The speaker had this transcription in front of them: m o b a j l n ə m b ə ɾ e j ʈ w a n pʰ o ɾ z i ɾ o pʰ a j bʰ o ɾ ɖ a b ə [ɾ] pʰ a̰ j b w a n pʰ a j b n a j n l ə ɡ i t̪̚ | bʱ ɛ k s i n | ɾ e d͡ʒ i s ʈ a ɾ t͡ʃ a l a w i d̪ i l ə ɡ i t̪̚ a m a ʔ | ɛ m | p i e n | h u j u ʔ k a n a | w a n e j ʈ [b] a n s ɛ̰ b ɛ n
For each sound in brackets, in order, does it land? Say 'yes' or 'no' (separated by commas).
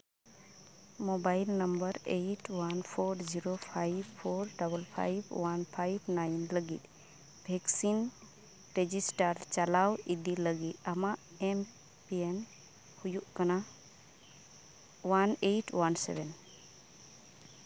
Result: no, no